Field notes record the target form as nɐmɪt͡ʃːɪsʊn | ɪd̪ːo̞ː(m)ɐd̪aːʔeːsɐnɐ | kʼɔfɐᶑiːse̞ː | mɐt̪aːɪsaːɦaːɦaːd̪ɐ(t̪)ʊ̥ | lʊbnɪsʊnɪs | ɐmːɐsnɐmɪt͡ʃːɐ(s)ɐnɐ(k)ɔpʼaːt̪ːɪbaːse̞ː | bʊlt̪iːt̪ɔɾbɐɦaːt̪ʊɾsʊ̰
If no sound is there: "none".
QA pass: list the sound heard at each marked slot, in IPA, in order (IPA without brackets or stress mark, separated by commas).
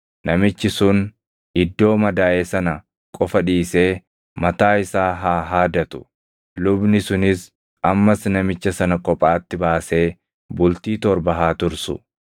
m, t̪, s, kʼ